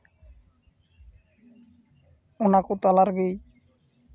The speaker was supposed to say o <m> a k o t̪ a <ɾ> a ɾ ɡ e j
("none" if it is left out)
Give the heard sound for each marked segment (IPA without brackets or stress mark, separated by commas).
n, l